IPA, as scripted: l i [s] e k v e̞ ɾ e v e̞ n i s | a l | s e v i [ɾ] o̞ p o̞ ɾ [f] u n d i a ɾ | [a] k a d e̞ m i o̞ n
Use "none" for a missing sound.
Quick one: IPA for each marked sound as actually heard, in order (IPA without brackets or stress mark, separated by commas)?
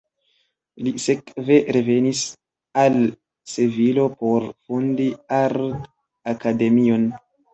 s, l, f, a